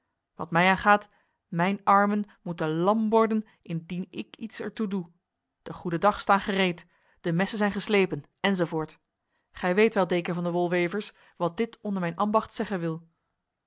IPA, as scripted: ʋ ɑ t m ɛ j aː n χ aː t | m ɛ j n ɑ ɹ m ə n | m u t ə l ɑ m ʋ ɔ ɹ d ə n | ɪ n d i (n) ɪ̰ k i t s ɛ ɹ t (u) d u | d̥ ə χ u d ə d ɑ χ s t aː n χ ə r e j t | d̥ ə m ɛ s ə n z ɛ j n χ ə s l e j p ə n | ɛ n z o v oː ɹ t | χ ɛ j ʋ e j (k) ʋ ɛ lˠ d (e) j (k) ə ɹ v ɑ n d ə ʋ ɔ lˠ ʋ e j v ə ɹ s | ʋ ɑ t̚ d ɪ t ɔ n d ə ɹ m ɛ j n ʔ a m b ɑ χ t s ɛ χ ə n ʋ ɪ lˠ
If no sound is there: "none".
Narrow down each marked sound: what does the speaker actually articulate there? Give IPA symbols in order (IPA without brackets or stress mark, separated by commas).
n, u, t, e, k